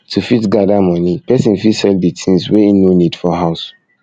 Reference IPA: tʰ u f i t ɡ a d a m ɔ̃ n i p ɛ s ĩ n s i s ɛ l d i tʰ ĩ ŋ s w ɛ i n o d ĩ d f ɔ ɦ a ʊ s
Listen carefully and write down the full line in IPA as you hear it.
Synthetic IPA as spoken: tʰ u f i t ɡ a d a m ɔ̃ n i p ɛ s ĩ n f i s ɛ l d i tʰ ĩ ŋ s w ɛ i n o n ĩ d f ɔ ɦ a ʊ s